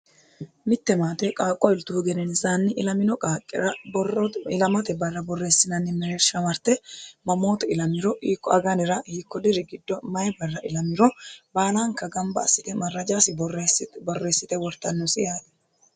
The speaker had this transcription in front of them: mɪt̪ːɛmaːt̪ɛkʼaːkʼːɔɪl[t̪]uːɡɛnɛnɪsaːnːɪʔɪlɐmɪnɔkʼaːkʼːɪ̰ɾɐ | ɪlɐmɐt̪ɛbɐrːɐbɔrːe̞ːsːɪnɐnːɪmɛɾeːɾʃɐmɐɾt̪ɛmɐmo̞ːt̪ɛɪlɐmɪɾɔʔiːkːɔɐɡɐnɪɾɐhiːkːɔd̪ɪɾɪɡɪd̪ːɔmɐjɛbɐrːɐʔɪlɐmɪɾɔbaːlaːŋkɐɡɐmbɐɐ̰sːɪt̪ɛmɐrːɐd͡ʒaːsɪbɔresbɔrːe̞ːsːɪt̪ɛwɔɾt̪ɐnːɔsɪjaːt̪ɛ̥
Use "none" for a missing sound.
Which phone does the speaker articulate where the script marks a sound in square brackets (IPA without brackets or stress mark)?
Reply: t̪